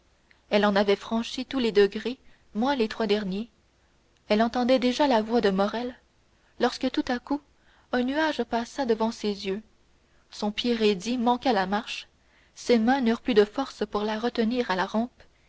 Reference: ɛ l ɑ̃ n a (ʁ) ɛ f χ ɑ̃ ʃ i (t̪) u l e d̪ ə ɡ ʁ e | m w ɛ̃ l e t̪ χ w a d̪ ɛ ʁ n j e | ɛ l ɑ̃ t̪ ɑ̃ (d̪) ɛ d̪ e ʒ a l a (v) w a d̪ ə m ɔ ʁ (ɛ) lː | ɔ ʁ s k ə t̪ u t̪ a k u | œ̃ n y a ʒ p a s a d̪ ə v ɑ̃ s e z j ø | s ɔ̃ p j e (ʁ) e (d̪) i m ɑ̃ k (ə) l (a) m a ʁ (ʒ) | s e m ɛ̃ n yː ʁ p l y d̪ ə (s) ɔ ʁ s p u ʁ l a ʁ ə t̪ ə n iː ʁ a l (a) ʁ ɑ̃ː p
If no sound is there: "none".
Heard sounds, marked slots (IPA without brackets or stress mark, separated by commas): v, t̪, d̪, v, ɛ, ʁ, d̪, a, a, ʃ, f, a